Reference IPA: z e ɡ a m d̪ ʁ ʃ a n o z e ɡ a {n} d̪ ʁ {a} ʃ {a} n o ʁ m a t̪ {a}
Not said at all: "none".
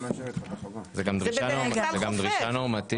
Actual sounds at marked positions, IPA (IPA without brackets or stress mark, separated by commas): m, i, a, i